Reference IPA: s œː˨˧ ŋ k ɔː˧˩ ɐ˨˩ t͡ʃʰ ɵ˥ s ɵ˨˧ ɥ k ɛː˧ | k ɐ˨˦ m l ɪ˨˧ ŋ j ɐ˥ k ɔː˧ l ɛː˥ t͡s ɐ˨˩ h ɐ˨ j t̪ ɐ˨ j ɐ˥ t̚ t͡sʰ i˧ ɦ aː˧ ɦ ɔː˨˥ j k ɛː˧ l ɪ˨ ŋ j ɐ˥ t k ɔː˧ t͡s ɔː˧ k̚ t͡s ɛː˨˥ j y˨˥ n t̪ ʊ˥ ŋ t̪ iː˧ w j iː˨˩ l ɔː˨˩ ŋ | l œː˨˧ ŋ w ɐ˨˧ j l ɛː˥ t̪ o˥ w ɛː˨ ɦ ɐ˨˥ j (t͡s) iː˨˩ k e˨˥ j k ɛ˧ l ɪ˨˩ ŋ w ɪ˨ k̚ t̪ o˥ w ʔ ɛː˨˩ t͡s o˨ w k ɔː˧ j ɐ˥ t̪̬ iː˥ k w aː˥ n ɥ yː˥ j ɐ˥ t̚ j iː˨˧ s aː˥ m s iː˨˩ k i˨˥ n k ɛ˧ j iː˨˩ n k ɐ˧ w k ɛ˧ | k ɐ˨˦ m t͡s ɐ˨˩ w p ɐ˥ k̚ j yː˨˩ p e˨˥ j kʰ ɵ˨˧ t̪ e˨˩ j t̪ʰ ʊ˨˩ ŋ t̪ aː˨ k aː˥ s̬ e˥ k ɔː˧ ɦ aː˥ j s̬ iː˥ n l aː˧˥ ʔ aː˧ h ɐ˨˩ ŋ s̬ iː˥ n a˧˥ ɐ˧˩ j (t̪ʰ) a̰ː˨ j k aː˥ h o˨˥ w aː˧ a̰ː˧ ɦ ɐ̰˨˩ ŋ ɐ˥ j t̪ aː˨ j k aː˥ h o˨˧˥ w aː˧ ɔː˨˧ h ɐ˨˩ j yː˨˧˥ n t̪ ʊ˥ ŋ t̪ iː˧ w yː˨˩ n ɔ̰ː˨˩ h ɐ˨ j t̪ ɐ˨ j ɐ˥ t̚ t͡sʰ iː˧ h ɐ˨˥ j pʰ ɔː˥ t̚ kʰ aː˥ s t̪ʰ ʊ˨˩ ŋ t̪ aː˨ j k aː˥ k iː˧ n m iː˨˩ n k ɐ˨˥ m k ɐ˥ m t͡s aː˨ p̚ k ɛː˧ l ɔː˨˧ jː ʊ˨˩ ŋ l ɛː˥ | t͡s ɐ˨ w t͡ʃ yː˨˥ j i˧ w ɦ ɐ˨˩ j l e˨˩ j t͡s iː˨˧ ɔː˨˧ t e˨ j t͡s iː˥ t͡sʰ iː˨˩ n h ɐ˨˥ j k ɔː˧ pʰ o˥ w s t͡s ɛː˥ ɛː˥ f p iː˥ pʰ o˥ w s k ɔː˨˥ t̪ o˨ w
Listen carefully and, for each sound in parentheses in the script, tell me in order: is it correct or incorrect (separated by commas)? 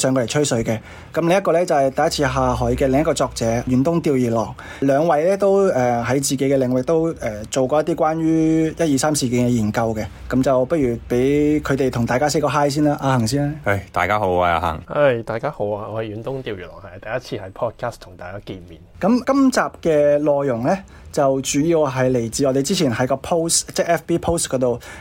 correct, incorrect